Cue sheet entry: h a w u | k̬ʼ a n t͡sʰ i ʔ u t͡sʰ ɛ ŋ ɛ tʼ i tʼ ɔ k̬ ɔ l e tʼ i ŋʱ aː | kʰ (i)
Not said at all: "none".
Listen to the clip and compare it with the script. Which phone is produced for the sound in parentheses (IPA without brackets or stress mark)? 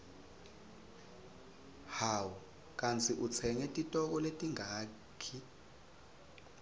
i